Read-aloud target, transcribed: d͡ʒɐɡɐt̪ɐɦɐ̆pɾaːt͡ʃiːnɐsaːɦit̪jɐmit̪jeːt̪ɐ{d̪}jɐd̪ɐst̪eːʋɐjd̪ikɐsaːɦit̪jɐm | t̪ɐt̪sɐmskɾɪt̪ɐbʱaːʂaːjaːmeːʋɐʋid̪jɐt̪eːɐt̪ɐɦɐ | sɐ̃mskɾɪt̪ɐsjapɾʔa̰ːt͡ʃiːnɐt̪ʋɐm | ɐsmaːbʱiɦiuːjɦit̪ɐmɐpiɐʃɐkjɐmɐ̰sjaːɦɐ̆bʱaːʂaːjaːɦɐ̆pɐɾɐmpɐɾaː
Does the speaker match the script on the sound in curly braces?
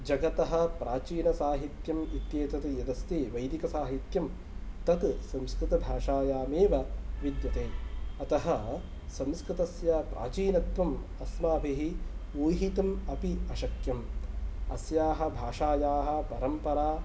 no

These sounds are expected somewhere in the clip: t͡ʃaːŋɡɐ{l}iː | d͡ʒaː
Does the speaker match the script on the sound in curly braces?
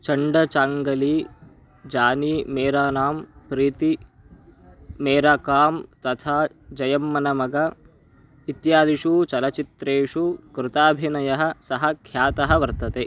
yes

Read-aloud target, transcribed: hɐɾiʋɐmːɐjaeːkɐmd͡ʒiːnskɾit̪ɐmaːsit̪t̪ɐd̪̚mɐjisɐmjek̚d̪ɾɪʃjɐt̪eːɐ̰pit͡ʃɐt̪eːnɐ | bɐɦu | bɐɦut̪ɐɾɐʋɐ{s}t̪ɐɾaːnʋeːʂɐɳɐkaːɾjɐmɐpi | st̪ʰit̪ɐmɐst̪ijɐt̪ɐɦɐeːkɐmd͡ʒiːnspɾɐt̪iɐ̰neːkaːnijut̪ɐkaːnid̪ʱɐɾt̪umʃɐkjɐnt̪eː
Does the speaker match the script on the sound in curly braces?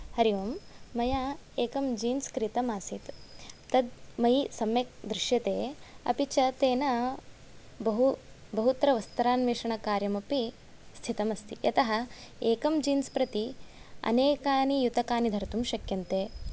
yes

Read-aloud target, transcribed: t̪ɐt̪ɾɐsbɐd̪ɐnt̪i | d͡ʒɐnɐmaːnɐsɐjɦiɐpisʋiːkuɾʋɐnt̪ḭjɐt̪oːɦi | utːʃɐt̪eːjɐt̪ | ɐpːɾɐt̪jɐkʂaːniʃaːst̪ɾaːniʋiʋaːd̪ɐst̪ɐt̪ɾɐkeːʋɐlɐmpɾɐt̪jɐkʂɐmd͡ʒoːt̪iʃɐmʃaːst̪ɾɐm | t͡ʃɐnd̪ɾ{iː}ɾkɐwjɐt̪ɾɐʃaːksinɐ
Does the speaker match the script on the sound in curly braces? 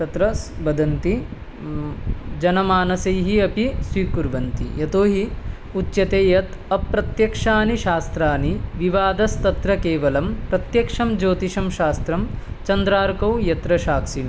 no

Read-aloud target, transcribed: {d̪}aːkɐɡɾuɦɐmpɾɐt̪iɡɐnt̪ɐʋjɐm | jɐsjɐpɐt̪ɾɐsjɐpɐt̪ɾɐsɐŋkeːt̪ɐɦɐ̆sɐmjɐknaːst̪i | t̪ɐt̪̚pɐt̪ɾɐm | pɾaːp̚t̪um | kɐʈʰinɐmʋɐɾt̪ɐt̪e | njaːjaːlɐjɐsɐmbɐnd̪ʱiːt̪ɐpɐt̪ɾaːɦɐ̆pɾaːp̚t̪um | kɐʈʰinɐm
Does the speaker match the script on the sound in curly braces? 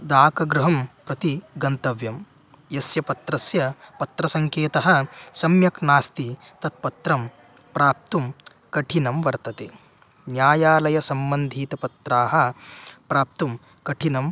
yes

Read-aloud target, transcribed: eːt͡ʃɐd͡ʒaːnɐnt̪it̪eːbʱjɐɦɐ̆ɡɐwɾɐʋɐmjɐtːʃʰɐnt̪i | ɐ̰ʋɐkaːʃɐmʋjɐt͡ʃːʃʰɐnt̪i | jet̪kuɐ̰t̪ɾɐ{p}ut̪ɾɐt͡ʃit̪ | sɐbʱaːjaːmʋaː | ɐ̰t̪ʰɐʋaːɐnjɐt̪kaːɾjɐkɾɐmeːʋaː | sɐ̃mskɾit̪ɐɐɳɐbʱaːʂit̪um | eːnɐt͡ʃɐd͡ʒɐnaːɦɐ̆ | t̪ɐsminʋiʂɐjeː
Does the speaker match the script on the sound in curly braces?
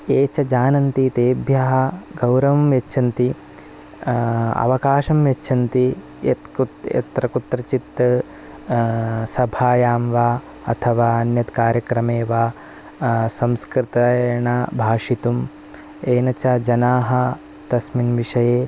no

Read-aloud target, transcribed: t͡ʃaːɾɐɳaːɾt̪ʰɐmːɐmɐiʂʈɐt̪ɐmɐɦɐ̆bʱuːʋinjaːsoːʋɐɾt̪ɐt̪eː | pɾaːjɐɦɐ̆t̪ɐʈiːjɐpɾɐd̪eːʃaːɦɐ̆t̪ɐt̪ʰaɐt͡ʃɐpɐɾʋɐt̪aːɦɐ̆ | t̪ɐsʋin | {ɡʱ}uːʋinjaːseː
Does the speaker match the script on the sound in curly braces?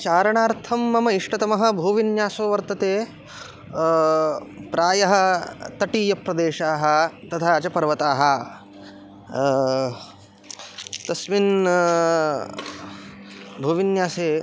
no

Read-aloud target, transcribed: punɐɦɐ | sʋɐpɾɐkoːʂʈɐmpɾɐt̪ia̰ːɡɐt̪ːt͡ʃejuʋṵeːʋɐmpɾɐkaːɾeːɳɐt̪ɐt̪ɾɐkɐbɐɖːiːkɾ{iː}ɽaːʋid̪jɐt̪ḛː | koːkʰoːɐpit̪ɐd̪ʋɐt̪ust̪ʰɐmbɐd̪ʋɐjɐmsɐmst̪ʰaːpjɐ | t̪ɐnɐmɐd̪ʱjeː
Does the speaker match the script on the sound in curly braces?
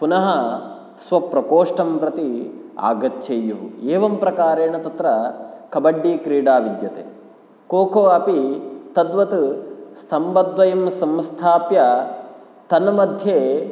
yes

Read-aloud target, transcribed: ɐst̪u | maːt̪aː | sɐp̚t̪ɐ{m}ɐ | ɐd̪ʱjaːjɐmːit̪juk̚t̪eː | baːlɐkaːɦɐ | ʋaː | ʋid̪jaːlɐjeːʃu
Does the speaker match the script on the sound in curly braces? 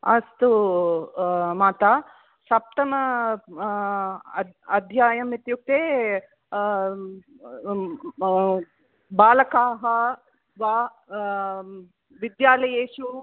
yes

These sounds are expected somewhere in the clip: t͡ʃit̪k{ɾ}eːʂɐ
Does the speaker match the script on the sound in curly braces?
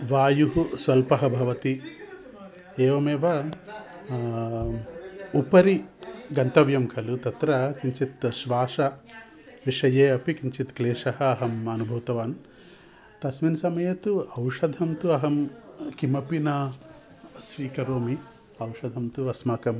no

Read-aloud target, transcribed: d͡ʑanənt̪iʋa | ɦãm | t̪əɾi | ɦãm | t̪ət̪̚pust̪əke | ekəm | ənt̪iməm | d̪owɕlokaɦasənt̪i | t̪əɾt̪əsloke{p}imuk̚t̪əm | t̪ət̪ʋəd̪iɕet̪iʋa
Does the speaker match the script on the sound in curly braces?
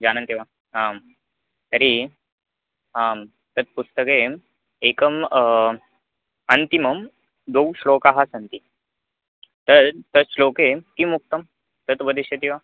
no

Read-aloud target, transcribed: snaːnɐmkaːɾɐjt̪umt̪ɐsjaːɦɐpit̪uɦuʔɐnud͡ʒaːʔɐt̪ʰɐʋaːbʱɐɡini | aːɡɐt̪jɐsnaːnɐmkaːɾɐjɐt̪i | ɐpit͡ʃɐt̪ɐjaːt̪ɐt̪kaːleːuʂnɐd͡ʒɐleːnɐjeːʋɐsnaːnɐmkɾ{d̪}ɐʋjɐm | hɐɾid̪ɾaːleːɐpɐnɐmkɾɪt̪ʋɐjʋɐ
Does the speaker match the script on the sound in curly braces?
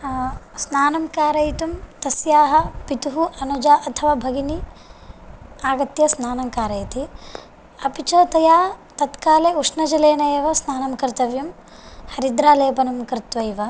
no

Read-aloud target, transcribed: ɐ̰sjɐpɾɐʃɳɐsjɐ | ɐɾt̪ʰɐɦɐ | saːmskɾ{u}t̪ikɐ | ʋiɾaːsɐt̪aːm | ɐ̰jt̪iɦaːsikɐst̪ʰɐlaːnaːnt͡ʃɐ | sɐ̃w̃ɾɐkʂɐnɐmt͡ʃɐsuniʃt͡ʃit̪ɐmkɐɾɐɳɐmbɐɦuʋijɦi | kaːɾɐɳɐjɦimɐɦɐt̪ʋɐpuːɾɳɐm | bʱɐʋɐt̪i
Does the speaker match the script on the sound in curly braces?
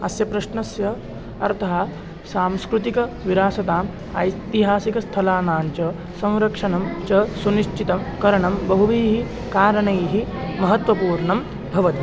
yes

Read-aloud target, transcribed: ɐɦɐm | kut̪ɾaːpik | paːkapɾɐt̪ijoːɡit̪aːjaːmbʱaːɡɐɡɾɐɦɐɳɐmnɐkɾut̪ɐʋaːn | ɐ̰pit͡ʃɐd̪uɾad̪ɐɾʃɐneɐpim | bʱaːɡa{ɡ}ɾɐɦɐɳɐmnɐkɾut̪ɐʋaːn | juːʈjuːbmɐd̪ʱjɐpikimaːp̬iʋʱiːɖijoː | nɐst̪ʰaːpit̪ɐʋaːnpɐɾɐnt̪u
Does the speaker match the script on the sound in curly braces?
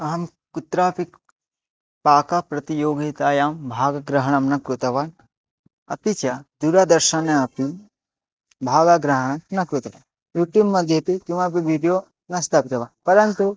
yes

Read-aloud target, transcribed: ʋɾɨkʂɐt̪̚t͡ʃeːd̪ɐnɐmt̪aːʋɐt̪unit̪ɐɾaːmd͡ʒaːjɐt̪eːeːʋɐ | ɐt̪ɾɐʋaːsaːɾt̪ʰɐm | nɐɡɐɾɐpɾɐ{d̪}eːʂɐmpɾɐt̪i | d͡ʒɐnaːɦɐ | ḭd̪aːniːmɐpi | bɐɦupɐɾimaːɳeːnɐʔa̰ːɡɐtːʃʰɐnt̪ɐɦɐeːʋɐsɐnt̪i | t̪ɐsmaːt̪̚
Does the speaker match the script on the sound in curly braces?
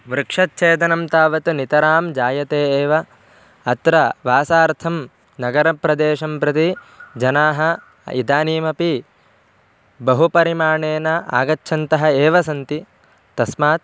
yes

